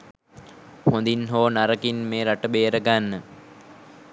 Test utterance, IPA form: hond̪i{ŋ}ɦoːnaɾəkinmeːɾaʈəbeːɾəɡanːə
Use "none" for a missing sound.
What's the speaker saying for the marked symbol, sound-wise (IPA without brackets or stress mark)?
n